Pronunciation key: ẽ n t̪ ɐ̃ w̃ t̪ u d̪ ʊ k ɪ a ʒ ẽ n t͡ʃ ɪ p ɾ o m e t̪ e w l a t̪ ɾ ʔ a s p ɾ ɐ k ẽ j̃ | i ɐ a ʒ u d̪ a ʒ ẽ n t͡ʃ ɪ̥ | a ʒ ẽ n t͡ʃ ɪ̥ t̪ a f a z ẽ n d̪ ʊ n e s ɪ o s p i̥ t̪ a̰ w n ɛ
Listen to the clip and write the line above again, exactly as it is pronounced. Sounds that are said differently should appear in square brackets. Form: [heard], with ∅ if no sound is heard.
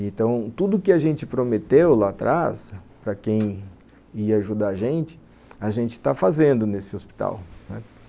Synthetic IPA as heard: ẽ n t̪ ɐ̃ w̃ t̪ u d̪ ʊ k ɪ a ʒ ẽ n t͡ʃ ɪ p ɾ o m e t̪ e w l a t̪ ɾ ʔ a s p ɾ ɐ k ẽ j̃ | i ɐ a ʒ u d̪ a ʒ ẽ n t͡ʃ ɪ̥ | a ʒ ẽ n t͡ʃ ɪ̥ t̪ a f a z ẽ n d̪ ʊ n e s ɪ o s p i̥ t̪ a̰ w n ɛ